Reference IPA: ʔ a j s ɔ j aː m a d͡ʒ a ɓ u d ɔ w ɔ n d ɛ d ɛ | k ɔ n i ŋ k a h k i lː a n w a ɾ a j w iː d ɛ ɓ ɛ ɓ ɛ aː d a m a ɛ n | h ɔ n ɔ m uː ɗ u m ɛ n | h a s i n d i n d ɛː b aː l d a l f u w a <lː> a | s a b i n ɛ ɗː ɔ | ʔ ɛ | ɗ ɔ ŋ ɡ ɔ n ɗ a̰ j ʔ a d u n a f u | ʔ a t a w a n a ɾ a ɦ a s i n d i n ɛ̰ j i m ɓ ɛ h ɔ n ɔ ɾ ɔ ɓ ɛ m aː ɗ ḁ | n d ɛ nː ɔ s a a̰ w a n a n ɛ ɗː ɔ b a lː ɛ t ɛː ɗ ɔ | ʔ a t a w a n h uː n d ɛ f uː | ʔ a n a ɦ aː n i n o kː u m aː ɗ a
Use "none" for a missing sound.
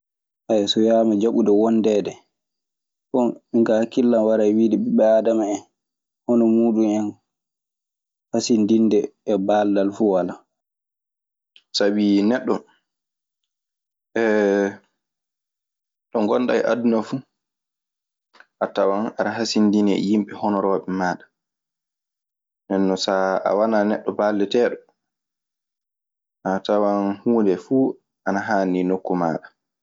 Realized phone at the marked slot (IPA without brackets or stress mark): l